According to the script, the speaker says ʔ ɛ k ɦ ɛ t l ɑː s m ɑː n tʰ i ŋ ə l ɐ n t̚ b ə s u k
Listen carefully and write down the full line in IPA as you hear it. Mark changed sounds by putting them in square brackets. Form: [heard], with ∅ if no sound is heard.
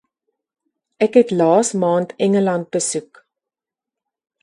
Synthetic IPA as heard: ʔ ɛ k ɦ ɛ t l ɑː s m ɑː n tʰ [ɛ] ŋ ə l ɐ n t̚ b ə s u k